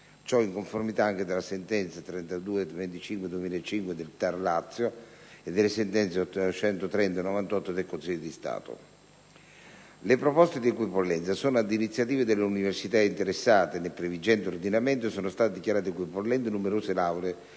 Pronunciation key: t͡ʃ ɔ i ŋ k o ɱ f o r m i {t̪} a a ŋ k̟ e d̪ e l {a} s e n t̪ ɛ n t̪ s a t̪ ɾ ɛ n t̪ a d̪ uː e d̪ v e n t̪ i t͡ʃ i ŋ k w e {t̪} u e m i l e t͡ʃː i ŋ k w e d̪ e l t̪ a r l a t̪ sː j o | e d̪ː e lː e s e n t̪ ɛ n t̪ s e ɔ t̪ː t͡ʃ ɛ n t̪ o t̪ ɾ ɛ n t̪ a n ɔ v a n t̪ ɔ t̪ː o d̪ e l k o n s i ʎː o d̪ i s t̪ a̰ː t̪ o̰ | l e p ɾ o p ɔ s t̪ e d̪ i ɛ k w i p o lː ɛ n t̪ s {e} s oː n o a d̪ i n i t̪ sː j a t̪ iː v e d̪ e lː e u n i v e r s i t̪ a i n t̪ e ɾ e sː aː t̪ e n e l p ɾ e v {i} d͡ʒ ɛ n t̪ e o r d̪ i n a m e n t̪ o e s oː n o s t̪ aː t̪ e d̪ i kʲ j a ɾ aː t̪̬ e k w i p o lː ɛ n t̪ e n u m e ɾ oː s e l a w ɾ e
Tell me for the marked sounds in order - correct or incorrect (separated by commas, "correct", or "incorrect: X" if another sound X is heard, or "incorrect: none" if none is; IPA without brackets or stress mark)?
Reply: correct, correct, incorrect: d̪, incorrect: a, correct